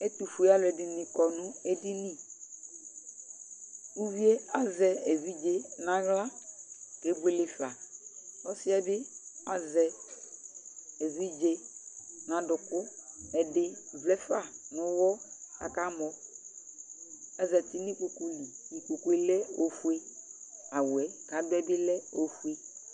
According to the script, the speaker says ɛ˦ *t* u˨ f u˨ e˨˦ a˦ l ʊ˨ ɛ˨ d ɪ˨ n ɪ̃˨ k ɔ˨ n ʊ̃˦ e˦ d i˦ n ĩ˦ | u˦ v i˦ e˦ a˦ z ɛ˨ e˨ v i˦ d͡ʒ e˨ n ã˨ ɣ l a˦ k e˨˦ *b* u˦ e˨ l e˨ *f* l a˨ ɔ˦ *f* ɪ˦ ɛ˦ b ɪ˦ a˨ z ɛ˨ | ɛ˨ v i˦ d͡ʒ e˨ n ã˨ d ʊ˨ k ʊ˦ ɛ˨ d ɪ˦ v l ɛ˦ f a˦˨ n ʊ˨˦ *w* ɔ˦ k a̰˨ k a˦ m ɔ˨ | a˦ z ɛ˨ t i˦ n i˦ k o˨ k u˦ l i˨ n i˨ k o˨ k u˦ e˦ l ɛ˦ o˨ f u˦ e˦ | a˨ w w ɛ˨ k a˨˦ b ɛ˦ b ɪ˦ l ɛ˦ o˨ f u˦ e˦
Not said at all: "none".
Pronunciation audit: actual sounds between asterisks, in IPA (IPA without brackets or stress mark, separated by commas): t, b, f, s, w